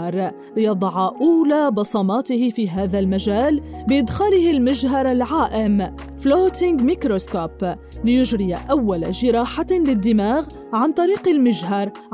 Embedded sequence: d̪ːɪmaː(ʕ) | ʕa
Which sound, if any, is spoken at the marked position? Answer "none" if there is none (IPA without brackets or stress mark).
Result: ɣ